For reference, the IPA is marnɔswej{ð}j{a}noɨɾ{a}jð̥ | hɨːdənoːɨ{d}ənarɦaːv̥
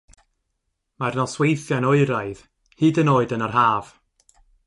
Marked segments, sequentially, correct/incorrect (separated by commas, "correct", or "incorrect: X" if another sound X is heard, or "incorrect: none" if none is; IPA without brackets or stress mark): incorrect: θ, correct, correct, correct